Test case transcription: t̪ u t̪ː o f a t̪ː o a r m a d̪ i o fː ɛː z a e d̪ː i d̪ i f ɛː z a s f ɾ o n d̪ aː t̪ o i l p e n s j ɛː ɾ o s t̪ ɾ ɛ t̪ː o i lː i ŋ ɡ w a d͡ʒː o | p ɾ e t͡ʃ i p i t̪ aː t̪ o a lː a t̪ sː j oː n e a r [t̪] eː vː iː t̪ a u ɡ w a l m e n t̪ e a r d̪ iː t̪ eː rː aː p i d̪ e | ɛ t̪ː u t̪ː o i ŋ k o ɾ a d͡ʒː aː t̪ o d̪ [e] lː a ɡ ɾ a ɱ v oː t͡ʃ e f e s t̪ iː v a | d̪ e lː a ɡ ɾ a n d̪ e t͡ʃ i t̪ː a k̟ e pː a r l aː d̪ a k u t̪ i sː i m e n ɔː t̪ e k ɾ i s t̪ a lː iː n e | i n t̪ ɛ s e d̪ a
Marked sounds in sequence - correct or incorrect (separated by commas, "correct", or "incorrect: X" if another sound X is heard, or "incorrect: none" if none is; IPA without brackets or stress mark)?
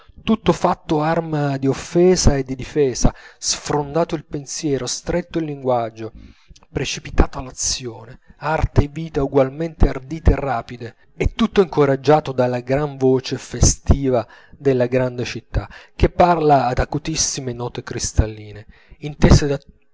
correct, incorrect: a